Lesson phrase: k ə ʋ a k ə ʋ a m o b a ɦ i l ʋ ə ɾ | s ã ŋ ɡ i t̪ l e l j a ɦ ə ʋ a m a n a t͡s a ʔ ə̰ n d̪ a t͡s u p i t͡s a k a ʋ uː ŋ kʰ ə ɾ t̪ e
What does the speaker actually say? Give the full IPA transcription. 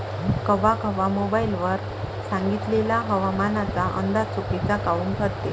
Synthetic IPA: k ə ʋ a k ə ʋ a m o b a i l ʋ ə ɾ | s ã ŋ ɡ i t̪ l e l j a ɦ ə ʋ a m a n a t͡s a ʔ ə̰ n d̪ a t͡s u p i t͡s a k a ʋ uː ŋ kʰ ə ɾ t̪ e